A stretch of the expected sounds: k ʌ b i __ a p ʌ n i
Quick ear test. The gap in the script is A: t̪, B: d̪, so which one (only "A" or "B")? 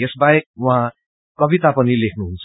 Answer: A